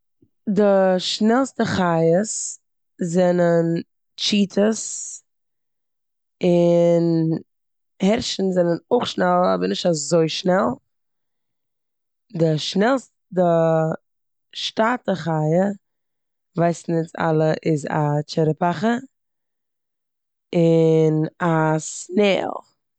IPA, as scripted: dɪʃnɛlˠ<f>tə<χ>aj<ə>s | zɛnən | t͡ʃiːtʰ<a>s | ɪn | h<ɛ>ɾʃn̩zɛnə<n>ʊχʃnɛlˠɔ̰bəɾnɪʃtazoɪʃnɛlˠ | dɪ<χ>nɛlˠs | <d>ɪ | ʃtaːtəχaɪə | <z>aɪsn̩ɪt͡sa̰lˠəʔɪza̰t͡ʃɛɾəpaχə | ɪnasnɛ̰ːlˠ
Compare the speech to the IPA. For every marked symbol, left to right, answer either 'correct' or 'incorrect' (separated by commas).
incorrect, correct, correct, incorrect, correct, correct, incorrect, correct, incorrect